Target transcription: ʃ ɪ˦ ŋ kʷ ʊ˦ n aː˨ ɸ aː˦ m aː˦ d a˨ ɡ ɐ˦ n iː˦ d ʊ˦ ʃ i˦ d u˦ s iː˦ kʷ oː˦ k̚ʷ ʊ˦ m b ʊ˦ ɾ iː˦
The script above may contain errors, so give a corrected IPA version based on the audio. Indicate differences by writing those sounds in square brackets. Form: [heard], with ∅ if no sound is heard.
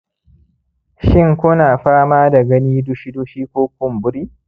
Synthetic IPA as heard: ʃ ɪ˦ ŋ kʷ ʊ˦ n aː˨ ɸ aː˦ m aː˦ d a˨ ɡ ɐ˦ n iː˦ d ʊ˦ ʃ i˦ d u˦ [ʃ] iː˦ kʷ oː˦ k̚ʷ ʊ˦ m b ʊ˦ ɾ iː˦